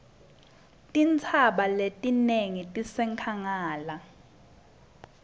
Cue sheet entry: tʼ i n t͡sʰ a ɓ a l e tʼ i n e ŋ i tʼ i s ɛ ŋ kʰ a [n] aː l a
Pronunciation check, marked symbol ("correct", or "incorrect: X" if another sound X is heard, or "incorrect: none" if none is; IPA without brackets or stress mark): incorrect: ŋ